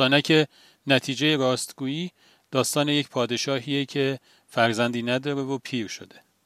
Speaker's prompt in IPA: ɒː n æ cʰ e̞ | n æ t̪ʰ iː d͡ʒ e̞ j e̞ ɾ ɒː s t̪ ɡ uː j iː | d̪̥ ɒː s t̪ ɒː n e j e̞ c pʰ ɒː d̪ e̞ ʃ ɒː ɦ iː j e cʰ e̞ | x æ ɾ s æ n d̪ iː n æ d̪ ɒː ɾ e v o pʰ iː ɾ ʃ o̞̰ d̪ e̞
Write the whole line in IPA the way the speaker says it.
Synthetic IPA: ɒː n æ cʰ e̞ | n æ t̪ʰ iː d͡ʒ e̞ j e̞ ɾ ɒː s t̪ ɡ uː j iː | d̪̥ ɒː s t̪ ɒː n e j e̞ c pʰ ɒː d̪ e̞ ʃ ɒː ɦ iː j e cʰ e̞ | f æ ɾ z æ n d̪ iː n æ d̪ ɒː ɾ e v o pʰ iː ɾ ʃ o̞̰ d̪ e̞